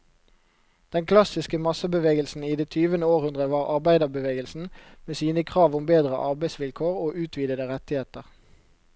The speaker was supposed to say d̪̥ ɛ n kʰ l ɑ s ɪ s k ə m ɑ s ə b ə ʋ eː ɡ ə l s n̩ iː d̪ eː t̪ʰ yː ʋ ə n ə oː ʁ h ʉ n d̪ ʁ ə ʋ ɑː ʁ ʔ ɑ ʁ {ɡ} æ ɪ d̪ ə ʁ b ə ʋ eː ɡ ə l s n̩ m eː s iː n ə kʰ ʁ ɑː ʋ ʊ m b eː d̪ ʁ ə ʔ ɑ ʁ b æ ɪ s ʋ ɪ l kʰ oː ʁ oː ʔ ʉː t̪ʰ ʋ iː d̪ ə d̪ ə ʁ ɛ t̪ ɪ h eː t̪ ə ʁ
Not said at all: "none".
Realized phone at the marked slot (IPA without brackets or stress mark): b